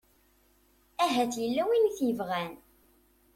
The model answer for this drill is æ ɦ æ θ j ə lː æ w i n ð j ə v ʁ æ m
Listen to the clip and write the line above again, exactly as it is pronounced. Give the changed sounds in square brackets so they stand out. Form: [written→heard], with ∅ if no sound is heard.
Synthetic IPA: æ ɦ æ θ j ə lː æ w i n [ð→θ] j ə v ʁ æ [m→n]